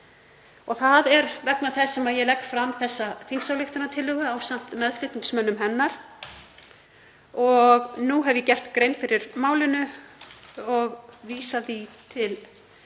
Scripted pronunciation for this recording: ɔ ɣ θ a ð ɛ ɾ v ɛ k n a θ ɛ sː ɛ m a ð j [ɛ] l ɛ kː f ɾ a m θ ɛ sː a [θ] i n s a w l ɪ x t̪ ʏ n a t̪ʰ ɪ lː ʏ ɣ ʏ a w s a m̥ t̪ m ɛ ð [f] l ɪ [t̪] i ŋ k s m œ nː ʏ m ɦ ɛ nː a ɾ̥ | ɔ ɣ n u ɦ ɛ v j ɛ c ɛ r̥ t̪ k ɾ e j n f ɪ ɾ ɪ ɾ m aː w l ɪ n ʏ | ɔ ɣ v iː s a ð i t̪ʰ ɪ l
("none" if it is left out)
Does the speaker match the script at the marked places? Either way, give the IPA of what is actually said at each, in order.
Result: ɛ, f, f, t̪

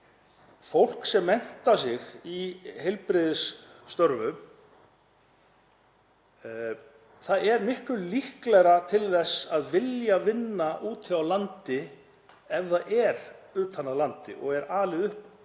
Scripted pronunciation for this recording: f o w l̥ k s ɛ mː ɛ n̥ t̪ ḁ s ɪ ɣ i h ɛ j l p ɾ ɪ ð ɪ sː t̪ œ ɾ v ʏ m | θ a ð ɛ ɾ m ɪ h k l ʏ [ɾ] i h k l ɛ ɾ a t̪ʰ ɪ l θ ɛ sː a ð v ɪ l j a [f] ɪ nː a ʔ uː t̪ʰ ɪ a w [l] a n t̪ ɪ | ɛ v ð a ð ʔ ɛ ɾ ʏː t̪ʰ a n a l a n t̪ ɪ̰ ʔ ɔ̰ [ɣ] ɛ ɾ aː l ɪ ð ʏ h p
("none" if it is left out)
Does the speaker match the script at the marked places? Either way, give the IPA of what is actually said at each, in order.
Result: l, v, l, ɣ

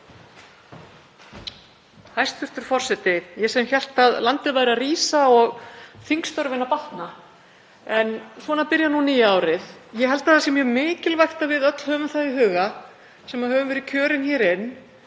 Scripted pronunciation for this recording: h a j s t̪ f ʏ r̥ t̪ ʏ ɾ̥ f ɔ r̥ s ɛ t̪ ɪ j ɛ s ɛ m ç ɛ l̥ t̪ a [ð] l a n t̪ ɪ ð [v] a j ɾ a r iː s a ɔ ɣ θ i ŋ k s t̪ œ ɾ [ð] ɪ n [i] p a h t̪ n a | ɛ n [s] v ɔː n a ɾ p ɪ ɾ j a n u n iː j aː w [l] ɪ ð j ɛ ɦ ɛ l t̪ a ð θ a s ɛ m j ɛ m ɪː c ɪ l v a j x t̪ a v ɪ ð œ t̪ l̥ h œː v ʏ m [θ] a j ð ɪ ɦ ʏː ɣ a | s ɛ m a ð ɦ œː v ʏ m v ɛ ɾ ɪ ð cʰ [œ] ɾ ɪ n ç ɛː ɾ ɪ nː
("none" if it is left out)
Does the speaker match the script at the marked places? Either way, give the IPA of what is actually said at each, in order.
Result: ð, v, v, a, s, ɾ, θ, œː

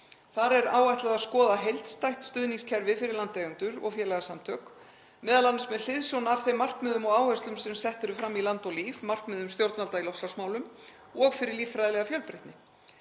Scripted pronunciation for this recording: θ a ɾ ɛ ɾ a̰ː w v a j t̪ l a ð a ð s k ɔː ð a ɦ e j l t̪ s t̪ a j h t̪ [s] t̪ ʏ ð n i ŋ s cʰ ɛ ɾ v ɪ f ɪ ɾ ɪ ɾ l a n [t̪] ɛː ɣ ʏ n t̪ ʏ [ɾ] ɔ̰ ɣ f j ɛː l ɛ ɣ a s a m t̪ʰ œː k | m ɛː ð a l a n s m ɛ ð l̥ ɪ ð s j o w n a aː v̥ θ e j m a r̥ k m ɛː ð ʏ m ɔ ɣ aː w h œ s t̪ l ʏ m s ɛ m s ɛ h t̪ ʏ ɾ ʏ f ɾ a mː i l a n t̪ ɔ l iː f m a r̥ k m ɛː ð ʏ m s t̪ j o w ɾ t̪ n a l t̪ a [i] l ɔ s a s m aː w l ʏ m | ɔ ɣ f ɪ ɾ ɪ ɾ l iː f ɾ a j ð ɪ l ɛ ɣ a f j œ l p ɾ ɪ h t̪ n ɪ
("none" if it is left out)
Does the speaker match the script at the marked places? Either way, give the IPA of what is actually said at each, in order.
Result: s, t̪, ɾ, i

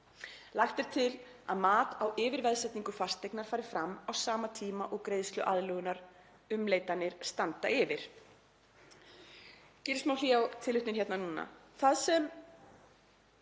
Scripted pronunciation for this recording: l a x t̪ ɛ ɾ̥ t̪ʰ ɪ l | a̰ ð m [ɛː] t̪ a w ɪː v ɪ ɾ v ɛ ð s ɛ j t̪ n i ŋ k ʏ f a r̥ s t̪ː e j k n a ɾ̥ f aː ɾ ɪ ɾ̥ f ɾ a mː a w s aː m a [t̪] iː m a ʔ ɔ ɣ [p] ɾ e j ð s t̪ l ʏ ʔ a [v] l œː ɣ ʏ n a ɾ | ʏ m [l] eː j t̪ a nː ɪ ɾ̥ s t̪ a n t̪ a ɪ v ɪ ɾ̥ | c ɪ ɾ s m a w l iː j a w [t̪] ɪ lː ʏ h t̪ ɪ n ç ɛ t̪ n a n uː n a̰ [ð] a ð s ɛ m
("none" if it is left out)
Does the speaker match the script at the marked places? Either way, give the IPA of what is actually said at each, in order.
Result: aː, t̪ʰ, k, ð, l, t̪ʰ, θ

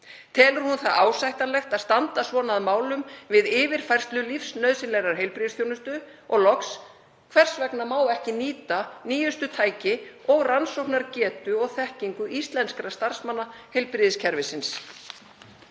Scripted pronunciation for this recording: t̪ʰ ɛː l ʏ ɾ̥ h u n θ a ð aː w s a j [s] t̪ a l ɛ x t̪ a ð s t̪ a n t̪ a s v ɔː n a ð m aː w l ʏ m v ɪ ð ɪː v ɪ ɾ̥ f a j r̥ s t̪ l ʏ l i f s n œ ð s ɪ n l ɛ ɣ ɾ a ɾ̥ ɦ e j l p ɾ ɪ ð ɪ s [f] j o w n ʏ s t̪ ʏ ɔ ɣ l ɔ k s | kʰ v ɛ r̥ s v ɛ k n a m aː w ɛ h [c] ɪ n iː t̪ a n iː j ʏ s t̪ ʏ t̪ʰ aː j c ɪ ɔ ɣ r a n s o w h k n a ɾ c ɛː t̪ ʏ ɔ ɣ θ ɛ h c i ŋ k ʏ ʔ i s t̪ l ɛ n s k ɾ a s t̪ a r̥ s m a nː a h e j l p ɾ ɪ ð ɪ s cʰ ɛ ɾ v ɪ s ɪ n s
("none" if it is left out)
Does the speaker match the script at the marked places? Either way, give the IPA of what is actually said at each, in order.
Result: h, θ, c

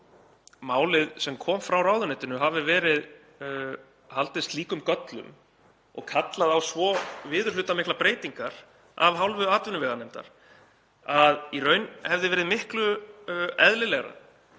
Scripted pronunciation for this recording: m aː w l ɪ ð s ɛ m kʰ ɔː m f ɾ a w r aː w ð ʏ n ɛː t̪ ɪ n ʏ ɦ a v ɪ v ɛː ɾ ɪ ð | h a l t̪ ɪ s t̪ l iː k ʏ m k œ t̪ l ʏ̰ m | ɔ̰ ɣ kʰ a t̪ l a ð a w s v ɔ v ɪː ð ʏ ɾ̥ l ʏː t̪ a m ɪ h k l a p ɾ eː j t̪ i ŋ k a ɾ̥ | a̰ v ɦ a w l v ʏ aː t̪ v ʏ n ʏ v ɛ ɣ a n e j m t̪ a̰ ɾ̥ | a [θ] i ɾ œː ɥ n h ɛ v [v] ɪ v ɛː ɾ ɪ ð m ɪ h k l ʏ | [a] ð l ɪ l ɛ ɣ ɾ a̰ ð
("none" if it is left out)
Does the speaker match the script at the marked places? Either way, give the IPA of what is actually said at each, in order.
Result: ð, ð, ɛ

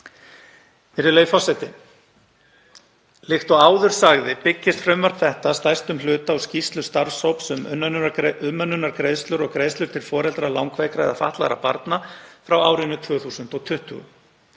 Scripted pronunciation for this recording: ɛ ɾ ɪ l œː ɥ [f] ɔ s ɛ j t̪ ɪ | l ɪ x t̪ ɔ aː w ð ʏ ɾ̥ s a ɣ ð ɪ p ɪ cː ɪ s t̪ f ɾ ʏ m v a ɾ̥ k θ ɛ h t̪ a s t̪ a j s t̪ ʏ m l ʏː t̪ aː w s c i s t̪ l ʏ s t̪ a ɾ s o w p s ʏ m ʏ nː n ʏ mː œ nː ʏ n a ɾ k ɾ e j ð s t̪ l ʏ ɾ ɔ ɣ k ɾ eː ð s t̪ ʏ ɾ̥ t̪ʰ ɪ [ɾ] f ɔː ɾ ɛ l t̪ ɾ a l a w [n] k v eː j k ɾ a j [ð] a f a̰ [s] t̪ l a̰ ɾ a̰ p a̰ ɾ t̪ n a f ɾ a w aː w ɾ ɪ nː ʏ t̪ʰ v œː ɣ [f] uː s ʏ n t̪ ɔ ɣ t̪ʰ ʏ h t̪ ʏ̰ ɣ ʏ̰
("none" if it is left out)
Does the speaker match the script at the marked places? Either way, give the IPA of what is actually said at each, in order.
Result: f, l, ŋ, ð, h, θ

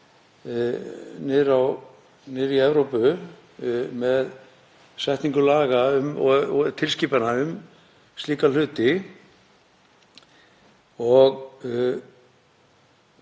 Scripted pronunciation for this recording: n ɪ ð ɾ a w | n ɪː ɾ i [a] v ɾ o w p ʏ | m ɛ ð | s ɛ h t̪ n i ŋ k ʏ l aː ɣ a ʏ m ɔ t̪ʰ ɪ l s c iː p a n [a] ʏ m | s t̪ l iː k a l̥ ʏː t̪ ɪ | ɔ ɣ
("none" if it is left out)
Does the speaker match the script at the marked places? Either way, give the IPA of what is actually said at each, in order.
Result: ɛ, a

